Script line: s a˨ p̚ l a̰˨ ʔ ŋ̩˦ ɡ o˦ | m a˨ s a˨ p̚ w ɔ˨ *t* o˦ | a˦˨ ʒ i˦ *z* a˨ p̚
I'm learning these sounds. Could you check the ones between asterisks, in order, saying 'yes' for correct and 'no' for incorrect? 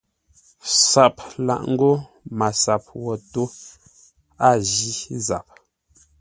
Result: yes, yes

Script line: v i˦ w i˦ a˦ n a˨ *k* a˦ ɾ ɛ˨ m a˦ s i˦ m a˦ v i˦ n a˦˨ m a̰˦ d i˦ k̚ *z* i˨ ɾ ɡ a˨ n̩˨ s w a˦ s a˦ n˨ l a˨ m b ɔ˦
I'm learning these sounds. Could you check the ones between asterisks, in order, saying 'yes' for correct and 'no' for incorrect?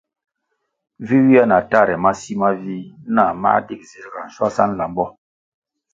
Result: no, yes

